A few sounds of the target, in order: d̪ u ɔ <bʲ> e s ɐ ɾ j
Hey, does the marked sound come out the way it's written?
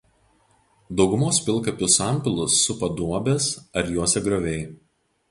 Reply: yes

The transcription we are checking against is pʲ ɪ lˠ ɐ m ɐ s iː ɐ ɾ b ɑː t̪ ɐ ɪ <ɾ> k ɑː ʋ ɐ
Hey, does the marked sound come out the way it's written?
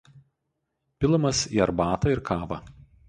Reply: yes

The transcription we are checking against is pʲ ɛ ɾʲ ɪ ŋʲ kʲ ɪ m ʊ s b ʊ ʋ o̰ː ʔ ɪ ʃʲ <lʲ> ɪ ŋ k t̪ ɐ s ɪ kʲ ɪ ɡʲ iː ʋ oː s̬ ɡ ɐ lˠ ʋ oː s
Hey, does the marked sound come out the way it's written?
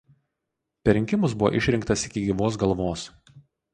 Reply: no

